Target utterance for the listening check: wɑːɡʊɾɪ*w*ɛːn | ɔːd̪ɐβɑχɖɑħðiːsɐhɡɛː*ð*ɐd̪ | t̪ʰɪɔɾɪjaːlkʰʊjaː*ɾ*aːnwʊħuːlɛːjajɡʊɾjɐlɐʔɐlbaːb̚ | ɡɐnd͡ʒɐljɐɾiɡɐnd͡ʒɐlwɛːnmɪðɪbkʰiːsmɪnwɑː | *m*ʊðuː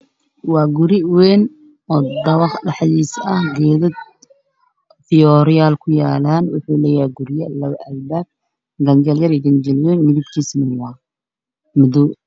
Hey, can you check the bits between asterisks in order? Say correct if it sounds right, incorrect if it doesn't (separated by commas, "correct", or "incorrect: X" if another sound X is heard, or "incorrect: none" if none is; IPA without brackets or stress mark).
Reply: correct, correct, incorrect: l, correct